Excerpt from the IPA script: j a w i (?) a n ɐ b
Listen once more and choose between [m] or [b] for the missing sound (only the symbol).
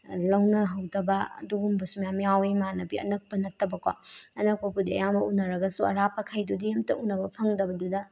m